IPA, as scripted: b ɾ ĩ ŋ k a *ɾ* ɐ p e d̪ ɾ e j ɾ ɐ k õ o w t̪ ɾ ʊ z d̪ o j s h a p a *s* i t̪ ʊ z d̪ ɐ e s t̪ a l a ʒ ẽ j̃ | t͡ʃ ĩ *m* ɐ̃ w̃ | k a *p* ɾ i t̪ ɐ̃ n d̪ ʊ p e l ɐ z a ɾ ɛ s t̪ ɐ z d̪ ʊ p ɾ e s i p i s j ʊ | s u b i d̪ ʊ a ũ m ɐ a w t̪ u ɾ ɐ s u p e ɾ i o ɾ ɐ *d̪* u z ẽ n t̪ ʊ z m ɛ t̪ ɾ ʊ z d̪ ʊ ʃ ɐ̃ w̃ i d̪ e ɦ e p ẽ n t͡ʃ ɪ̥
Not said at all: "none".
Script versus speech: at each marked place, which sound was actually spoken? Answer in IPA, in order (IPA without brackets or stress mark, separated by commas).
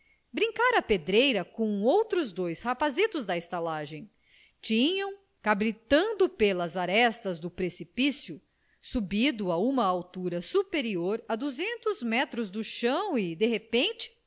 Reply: ɾ, z, ɲ, b, d̪